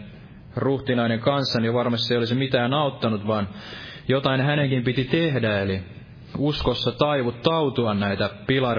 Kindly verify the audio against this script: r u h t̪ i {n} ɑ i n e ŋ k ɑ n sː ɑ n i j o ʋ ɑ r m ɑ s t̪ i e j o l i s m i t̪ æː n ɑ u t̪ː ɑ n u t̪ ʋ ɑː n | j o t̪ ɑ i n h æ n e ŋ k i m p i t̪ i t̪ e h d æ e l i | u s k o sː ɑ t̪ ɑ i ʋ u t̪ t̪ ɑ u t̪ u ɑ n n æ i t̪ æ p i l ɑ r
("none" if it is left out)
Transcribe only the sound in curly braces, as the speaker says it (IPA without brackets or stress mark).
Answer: n